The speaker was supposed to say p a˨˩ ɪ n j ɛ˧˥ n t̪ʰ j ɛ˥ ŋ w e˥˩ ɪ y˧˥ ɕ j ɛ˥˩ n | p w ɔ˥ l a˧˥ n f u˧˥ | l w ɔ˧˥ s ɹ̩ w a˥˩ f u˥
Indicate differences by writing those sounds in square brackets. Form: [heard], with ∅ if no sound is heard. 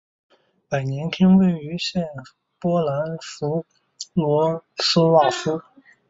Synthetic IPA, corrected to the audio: p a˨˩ ɪ n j ɛ˧˥ n t̪ʰ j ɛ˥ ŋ w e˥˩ ɪ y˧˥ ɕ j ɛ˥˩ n | p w ɔ˥ l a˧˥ n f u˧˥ | l w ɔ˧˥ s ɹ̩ w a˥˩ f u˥